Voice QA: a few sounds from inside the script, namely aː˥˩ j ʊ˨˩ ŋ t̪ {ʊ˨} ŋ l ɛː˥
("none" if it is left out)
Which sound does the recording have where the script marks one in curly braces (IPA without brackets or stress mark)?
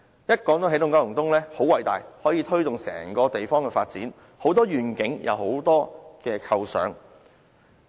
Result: ʊ˥